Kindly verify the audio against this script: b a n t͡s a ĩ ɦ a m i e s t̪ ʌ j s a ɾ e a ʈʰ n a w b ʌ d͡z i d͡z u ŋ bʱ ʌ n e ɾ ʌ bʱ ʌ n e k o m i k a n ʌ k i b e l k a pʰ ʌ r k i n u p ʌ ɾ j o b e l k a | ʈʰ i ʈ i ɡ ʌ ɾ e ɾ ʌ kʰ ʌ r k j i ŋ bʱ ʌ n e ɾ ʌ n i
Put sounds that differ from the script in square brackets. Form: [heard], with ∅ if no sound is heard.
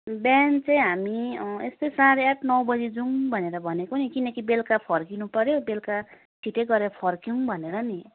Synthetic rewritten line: b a n t͡s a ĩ ɦ a m i e s t̪ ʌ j s a ɾ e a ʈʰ n [ʌ] w b ʌ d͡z i d͡z u ŋ bʱ ʌ n e ɾ ʌ bʱ ʌ n e k o [n] i k [i] n ʌ k i b e l k a pʰ ʌ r k i n u p ʌ ɾ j o b e l k a | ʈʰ i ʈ [e] ɡ ʌ ɾ e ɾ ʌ [pʰ] ʌ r k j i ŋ bʱ ʌ n e ɾ ʌ n i